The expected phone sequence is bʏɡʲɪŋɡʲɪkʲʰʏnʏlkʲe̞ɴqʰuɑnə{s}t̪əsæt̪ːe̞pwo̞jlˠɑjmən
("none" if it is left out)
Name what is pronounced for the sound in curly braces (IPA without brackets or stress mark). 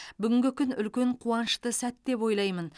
ʃ